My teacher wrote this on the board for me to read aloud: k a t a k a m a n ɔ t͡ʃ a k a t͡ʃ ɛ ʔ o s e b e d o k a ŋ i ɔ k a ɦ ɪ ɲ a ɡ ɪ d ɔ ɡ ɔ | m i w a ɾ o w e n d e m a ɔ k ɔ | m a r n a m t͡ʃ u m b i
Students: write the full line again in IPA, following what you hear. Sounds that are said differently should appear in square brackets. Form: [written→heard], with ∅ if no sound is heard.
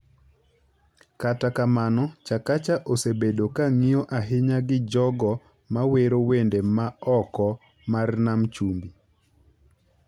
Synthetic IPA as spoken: k a t a k a m a n ɔ t͡ʃ a k a t͡ʃ [ɛ→a] ʔ o s e b e d o k a ŋ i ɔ [k→ʔ] a ɦ ɪ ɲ a ɡ ɪ [d→d͡ʒ] ɔ ɡ ɔ | m [i→a] w [a→e] ɾ o w e n d e m a ɔ k ɔ | m a r n a m t͡ʃ u m b i